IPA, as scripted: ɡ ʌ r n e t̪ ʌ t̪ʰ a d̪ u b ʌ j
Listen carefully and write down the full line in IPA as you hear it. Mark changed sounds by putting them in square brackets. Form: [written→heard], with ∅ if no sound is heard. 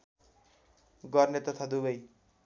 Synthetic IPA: ɡ ʌ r n e t̪ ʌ t̪ʰ a d̪ u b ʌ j

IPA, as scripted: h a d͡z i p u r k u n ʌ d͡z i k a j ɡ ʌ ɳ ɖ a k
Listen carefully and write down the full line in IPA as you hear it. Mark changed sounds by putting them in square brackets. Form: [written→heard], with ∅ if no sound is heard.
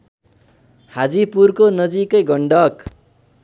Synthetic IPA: h a d͡z i p u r k [u→o] n ʌ d͡z i k [a→ʌ] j ɡ ʌ ɳ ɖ [a→ʌ] k

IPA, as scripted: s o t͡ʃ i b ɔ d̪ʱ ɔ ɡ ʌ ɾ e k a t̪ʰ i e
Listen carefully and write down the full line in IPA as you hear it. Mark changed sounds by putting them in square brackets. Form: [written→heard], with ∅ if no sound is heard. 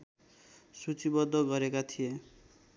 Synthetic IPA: s [o→u] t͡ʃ i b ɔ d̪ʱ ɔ ɡ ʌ ɾ e k a t̪ʰ i e

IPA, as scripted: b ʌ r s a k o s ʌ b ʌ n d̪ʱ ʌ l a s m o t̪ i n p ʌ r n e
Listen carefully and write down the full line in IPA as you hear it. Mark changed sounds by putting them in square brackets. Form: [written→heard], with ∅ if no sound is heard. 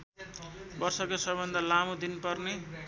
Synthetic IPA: b ʌ r s [a→ʌ] k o s ʌ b ʌ n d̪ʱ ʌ l a [s→∅] m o [t̪→d̪] i n p ʌ r n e

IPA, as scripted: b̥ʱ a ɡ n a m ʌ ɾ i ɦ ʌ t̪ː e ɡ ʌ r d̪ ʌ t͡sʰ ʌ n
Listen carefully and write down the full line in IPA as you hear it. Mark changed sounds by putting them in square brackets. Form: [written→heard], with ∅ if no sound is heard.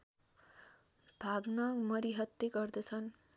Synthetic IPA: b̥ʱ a ɡ n [a→ʌ] m ʌ ɾ i ɦ ʌ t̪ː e ɡ ʌ r d̪ ʌ t͡sʰ ʌ n

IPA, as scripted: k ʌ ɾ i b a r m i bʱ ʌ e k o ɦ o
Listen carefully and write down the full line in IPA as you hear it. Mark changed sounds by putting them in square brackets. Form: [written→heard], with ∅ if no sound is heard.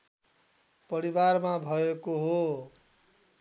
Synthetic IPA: [k→p] ʌ ɾ i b a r m [i→a] bʱ ʌ e k o ɦ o

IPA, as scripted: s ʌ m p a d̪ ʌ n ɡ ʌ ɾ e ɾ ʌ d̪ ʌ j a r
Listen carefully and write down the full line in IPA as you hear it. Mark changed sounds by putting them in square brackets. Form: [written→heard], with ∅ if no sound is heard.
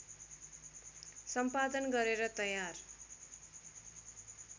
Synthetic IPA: s ʌ m p a d̪ ʌ n ɡ ʌ ɾ e ɾ ʌ [d̪→t̪] ʌ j a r

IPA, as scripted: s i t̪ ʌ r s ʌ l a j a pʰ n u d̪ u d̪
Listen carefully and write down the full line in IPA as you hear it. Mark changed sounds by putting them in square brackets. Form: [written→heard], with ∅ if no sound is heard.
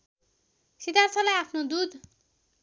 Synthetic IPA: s i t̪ [ʌ→a] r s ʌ l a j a pʰ n [u→o] d̪ u d̪

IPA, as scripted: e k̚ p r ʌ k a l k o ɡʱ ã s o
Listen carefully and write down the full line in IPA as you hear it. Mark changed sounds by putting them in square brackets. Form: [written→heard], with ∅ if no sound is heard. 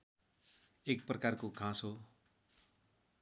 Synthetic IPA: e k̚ p r ʌ k a [l→r] k o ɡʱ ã s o

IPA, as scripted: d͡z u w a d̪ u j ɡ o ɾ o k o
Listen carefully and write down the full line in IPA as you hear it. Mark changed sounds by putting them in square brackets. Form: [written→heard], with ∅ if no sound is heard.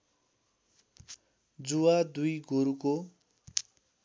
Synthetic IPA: d͡z u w a d̪ u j ɡ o ɾ [o→u] k o

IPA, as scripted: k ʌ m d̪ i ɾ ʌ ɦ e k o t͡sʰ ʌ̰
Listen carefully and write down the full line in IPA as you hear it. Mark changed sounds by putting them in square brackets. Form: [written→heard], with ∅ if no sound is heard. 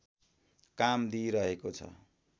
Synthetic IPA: k [ʌ→a] m d̪ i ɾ ʌ ɦ e k o t͡sʰ ʌ̰

